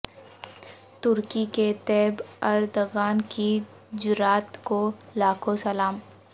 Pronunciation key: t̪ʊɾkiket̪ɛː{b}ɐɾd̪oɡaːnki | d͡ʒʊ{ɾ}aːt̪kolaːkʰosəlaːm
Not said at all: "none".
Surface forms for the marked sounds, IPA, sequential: b, ɾ

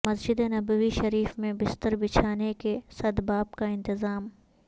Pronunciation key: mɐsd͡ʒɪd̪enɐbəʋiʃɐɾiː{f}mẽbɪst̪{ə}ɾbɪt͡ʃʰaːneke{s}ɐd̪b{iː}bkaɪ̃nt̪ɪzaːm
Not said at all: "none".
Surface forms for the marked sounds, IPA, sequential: f, ə, s, aː

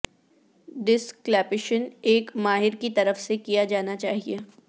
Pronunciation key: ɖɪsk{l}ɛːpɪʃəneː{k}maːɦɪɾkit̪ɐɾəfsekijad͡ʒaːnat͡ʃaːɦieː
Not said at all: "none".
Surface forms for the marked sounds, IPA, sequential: l, k

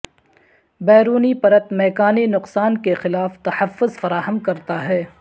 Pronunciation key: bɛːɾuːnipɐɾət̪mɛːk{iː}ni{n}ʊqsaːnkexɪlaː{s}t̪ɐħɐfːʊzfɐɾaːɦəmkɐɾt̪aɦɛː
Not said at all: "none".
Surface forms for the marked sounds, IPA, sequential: aː, n, f

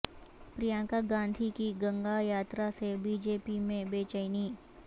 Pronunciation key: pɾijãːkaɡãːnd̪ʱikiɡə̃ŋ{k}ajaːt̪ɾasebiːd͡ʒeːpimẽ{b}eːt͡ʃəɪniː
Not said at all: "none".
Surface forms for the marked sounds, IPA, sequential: ɡ, b

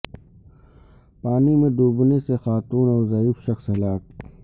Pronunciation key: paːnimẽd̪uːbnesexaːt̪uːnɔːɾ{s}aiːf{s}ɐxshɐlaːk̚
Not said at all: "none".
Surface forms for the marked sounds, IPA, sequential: z, ʃ

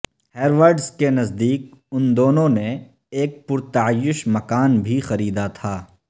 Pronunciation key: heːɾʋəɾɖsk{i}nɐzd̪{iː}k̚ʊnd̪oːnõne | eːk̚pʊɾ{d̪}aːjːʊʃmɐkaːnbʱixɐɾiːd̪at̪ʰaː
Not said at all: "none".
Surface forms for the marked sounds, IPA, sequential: e, iː, t̪

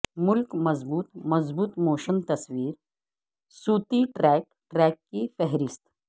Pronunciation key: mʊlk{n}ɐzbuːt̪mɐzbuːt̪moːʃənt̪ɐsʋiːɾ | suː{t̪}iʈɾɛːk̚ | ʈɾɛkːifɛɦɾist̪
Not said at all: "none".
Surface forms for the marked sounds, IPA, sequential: m, t̪

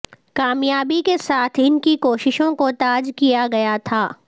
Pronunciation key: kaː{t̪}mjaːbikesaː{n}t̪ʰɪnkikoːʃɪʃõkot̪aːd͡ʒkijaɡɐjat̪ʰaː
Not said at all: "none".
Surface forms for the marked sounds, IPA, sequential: none, none

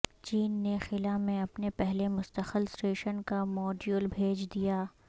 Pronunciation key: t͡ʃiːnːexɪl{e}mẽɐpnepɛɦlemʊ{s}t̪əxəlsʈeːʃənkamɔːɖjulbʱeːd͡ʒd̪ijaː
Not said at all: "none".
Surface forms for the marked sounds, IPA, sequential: a, s

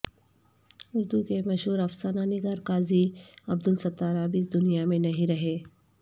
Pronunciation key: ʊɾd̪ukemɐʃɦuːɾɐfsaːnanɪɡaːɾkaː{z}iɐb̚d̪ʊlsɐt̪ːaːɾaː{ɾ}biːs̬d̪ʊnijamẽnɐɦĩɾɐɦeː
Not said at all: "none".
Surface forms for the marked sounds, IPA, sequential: z, none

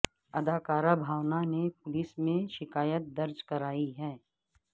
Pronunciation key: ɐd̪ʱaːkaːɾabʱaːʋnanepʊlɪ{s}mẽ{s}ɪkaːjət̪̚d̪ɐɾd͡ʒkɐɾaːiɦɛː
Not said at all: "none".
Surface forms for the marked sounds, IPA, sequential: s, ʃ

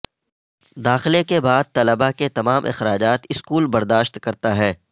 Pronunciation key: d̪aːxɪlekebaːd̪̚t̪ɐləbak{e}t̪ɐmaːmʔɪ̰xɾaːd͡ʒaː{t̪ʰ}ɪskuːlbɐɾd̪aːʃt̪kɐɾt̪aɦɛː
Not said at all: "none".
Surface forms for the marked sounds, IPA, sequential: e, t̪

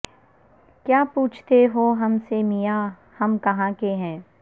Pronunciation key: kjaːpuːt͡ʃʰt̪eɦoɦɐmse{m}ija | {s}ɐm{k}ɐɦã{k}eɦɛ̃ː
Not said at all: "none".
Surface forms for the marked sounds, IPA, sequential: m, h, k, k

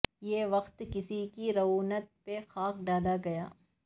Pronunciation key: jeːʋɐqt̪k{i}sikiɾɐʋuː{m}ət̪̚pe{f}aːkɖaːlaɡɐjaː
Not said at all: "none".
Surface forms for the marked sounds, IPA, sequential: ɪ, n, x

